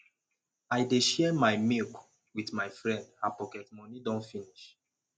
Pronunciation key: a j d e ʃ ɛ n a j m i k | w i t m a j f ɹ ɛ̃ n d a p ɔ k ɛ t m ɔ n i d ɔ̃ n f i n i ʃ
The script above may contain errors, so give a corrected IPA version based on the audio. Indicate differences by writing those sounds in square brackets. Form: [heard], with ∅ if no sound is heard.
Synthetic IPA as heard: a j d e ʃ ɛ [m] a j m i k | w i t m a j f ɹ ɛ̃ n d a p ɔ k ɛ t m ɔ n i d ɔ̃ n f i n i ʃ